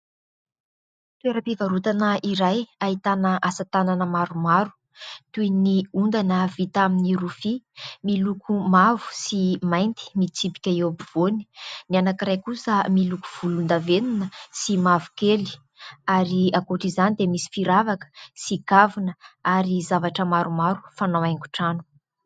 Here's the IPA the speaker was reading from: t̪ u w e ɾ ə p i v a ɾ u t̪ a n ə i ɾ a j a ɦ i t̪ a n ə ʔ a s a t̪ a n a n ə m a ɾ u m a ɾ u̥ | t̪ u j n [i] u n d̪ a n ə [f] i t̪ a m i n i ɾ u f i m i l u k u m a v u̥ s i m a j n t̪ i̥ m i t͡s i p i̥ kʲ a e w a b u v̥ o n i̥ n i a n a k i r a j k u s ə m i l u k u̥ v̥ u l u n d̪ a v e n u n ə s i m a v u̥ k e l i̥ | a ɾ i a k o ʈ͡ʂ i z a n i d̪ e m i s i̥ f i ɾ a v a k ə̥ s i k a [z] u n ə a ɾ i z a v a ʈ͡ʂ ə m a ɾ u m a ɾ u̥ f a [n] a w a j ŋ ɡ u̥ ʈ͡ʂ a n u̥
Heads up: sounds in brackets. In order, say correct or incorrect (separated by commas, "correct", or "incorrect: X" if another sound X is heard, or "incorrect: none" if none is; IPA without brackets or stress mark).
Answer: correct, incorrect: v, incorrect: v, correct